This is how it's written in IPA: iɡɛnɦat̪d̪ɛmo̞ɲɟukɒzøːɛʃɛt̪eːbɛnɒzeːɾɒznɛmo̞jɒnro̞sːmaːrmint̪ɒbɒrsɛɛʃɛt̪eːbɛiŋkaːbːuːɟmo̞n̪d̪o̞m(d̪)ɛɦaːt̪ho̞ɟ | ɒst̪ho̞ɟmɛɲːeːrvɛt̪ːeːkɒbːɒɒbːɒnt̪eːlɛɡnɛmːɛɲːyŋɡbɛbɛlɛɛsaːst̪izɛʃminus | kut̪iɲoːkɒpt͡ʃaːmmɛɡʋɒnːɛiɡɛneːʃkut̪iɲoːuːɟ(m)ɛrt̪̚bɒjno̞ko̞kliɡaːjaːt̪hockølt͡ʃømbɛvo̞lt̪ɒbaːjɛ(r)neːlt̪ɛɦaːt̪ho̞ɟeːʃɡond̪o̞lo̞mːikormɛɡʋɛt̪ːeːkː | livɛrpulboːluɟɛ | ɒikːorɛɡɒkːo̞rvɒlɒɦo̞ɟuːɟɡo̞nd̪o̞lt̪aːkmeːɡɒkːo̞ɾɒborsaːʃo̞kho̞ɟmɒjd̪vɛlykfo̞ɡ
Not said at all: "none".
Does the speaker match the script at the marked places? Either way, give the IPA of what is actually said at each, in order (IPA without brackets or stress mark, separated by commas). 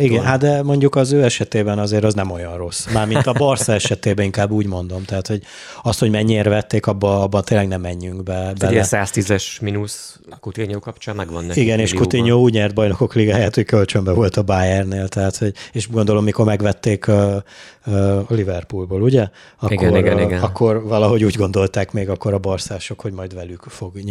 t̪, ɲ, r